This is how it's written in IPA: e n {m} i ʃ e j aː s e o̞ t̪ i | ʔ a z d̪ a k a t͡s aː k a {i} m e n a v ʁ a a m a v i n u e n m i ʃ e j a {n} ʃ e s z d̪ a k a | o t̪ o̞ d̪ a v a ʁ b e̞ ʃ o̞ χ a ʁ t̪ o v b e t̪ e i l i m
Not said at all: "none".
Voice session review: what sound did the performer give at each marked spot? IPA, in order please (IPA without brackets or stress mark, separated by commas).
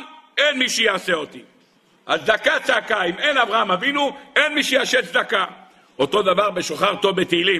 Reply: m, i, none